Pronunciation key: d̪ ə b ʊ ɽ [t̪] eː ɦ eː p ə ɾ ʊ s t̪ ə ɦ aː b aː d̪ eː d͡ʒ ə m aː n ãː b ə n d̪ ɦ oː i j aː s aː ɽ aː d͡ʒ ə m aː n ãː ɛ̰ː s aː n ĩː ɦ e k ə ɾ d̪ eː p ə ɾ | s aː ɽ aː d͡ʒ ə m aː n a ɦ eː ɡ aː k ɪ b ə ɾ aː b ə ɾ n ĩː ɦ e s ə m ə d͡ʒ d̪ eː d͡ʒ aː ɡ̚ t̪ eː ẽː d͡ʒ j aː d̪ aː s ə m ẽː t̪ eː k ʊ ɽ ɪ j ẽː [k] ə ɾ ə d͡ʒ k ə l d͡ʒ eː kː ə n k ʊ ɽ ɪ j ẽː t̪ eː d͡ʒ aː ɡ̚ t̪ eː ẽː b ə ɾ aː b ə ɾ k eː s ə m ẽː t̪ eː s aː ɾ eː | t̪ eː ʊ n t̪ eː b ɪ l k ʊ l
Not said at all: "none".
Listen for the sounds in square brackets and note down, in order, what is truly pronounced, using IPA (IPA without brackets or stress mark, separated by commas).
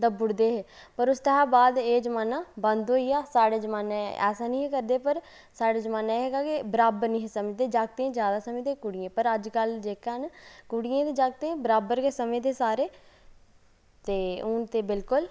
d̪, p